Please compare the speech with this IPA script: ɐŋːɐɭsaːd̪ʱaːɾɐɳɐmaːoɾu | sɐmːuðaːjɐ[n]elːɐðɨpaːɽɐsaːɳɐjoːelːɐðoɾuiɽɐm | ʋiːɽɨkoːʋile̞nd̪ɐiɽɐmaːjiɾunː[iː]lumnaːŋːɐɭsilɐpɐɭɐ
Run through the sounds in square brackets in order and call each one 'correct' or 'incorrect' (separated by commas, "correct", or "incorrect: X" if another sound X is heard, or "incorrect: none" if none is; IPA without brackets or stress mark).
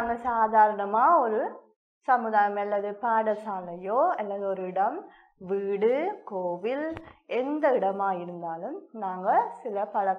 incorrect: m, incorrect: aː